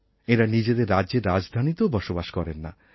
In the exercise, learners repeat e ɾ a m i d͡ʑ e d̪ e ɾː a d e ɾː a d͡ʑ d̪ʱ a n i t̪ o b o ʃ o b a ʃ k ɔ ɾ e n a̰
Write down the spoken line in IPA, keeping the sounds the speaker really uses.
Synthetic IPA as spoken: e ɾ a n i d͡ʑ e d̪ e ɾː a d e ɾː a d͡ʑ d̪ʱ a n i t̪ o b ɔ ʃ o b a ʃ k ɔ ɾ e nː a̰